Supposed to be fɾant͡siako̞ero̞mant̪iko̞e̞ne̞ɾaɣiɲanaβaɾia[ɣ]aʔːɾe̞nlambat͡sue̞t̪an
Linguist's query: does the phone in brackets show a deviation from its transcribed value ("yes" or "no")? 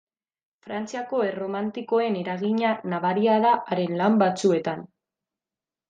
yes